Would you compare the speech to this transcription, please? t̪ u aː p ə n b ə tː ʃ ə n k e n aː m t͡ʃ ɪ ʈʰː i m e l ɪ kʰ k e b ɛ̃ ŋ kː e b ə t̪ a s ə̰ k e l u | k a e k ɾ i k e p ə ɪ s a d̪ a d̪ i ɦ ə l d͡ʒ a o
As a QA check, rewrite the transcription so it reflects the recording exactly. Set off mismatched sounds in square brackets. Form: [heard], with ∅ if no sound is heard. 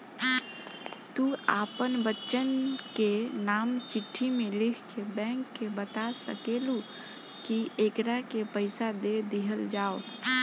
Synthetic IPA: t̪ u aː p ə n b ə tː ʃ ə n k e n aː m t͡ʃ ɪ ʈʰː i m e l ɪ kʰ k e b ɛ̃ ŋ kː e b ə t̪ a s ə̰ k e l u | k [i] e k ɾ [a] k e p ə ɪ s a d̪ [e] d̪ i ɦ ə l d͡ʒ a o